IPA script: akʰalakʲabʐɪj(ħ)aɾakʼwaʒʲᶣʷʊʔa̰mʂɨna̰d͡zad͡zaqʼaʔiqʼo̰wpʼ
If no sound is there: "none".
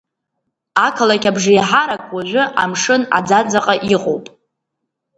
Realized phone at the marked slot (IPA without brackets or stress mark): ħ